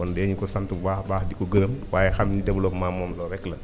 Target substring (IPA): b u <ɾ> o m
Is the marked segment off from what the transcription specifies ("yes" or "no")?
yes